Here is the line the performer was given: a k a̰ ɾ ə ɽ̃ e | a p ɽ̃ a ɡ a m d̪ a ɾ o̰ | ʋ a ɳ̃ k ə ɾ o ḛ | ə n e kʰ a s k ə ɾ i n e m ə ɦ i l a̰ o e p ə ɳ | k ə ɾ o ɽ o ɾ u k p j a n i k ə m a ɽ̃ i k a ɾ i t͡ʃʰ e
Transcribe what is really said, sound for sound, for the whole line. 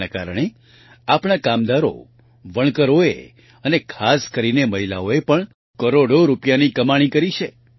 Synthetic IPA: a k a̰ ɾ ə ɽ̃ e | a p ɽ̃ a k a m d̪ a ɾ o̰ | ʋ ə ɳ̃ k ə ɾ o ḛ | ə n e kʰ a s k ə ɾ i n e m ə ɦ i l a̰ o e p ə ɳ | k ə ɾ o ɽ o ɾ u p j a n i k ə m a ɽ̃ i k ə ɾ i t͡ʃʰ e